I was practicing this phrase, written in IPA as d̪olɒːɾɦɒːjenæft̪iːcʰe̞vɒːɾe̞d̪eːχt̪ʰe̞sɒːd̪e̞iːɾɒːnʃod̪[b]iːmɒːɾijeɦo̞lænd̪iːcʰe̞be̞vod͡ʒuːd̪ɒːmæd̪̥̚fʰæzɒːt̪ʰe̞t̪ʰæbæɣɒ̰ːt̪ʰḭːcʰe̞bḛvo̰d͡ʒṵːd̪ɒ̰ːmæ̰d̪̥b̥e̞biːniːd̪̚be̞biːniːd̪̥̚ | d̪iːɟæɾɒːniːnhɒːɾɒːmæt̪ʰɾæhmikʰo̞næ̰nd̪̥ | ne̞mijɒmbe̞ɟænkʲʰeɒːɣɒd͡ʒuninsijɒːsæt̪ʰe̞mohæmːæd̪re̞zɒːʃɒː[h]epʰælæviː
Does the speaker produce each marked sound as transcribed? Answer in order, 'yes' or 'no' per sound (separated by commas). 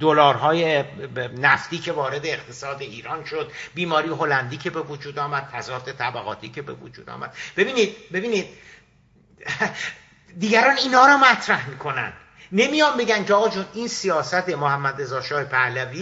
yes, yes